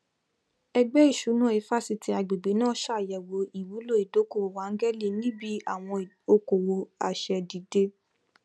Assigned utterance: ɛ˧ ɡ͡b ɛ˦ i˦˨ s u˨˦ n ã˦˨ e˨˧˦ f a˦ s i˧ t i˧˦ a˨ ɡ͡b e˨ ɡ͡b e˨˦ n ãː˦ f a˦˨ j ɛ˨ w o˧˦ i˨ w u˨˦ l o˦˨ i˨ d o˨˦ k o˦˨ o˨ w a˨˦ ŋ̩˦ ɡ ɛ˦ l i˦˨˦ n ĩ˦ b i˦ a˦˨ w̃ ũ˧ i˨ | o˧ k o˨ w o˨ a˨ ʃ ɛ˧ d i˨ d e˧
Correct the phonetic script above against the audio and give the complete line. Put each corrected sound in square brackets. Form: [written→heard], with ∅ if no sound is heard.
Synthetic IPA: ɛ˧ ɡ͡b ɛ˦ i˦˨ [s→ʃ] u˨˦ n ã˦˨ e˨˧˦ f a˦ s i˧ t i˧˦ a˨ ɡ͡b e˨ ɡ͡b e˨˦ n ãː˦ [f→ʃ] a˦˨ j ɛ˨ w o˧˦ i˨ w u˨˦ l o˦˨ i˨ d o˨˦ k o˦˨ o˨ w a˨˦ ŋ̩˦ ɡ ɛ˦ l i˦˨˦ n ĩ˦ b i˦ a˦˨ w̃ [ũ˧→ɔ̃˧] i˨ | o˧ k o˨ w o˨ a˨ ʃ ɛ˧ d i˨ d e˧